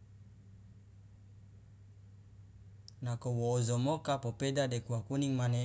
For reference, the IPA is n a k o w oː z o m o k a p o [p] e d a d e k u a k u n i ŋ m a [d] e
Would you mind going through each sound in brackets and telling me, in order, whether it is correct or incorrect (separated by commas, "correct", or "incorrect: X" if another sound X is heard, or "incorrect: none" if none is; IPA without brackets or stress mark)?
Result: correct, incorrect: n